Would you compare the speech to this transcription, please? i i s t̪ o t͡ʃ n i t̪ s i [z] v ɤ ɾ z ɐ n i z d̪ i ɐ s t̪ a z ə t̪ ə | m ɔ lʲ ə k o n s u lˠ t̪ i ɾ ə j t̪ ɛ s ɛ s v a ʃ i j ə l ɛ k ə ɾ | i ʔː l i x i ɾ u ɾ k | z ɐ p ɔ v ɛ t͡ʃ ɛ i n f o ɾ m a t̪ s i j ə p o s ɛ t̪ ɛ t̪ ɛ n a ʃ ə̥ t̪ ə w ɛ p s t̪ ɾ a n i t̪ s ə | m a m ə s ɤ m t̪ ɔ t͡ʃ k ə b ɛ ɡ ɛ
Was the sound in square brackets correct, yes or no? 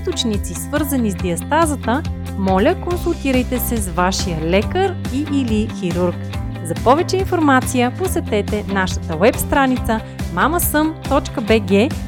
no